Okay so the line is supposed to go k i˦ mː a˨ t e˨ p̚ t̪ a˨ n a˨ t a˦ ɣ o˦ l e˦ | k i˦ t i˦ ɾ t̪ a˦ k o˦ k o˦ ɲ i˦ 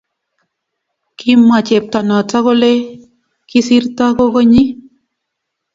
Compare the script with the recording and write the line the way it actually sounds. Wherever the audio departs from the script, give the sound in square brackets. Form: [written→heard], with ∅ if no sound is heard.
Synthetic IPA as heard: k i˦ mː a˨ [t→t͡ʃ] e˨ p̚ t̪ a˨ n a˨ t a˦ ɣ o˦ l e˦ | k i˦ [t→s] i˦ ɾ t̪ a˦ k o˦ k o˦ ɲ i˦